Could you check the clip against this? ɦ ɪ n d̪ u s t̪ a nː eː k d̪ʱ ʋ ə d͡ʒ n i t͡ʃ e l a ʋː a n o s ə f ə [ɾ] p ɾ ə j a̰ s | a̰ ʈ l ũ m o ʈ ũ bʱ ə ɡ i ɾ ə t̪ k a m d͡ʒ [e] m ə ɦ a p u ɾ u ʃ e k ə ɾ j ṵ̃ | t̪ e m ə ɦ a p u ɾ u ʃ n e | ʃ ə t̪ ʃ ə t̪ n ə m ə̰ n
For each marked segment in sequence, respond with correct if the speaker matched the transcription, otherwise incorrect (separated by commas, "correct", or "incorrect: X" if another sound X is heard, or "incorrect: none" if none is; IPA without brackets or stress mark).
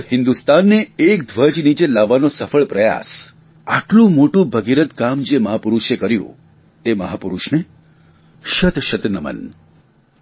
incorrect: ɭ, correct